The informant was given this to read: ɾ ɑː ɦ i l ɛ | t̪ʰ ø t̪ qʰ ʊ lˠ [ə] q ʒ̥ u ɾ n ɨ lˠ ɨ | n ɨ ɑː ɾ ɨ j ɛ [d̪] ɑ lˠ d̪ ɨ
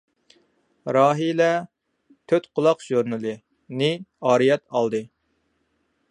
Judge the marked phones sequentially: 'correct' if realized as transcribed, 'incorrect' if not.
incorrect: ɑ, incorrect: t̪

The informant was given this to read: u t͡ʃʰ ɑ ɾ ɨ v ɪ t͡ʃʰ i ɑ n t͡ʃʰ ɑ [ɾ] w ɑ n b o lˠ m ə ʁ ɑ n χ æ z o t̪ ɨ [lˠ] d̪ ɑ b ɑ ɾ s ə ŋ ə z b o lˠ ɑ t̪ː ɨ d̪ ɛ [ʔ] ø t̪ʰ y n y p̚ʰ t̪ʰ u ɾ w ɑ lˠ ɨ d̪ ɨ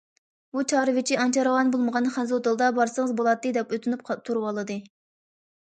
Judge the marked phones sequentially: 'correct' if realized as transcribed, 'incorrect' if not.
correct, correct, incorrect: p

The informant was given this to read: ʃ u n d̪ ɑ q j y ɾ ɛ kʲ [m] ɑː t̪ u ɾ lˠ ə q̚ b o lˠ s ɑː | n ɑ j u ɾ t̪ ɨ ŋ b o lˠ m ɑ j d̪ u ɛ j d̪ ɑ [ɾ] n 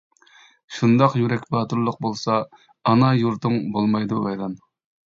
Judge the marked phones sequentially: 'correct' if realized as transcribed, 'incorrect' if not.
incorrect: b, incorrect: none

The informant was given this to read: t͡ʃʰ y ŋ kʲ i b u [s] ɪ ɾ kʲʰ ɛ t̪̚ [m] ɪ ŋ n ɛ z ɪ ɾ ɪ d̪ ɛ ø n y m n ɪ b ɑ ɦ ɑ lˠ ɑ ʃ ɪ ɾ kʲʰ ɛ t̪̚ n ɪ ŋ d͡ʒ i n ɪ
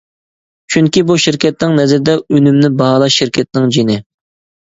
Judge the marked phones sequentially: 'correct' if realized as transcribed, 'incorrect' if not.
incorrect: ʃ, incorrect: n

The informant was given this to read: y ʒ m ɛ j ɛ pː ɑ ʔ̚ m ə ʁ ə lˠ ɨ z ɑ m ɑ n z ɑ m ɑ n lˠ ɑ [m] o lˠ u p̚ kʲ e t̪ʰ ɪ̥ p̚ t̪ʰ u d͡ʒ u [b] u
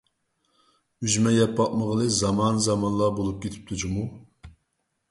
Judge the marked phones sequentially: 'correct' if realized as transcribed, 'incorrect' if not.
incorrect: b, incorrect: m

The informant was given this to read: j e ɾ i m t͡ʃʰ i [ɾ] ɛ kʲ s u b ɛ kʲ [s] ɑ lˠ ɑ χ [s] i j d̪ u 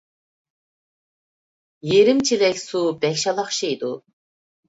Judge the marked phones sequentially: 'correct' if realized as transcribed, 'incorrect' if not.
incorrect: l, incorrect: ʃ, incorrect: ʃ

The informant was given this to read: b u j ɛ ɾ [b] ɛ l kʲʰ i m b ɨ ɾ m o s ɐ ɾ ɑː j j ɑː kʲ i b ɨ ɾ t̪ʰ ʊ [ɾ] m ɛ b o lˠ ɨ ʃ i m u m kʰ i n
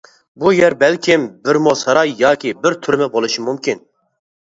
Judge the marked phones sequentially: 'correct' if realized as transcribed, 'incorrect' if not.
correct, correct

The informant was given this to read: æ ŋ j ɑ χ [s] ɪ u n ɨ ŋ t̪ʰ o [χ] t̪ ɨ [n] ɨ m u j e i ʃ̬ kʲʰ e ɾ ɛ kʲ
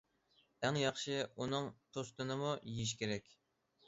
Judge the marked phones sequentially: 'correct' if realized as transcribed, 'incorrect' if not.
incorrect: ʃ, incorrect: s, correct

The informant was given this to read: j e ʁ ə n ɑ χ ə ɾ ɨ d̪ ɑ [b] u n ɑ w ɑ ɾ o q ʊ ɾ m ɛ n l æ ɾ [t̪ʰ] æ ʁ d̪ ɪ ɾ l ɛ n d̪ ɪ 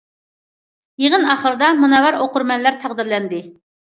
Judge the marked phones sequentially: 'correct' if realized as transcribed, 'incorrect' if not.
incorrect: m, correct

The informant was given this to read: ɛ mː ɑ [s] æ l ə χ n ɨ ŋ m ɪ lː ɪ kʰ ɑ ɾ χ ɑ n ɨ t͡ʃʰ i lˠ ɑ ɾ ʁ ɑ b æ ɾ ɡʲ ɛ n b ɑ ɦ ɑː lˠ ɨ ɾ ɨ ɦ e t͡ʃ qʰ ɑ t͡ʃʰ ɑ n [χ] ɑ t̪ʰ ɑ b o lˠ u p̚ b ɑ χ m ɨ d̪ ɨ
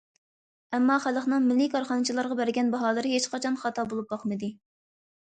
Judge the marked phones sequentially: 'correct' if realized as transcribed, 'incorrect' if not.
incorrect: χ, correct

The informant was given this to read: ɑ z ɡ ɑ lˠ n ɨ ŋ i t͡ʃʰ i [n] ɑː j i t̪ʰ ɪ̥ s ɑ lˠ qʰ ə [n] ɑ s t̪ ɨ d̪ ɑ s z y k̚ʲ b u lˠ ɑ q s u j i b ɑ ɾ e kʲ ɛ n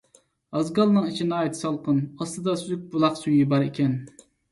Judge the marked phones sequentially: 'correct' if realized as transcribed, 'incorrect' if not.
correct, correct

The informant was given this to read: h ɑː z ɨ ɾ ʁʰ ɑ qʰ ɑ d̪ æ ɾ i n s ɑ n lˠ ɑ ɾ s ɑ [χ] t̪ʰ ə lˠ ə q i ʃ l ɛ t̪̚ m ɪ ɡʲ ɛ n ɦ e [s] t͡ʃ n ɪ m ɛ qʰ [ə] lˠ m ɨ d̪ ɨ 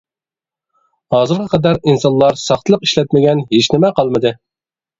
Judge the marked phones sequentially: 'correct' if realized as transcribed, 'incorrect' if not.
correct, incorrect: none, incorrect: ɑ

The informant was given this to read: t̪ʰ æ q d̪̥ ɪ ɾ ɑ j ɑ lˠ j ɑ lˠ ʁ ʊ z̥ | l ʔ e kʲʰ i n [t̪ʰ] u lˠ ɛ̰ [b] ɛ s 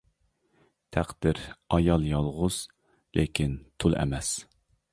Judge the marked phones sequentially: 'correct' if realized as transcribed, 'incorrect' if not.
correct, incorrect: m

